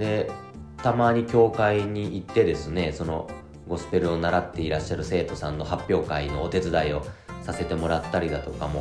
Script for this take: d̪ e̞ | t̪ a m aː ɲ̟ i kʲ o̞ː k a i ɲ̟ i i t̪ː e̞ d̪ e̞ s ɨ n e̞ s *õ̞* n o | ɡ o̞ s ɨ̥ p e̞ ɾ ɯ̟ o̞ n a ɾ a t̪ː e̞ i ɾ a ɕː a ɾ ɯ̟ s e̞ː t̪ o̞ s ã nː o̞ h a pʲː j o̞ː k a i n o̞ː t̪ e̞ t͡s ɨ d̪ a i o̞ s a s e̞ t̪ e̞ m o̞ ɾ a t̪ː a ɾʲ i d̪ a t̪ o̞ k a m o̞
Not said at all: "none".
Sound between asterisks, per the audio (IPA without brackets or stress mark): o̞